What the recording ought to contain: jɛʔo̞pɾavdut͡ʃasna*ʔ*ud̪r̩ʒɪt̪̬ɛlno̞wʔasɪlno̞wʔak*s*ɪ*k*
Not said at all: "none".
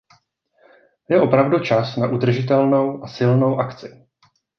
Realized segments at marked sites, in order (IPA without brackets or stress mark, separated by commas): ʔ, t͡s, none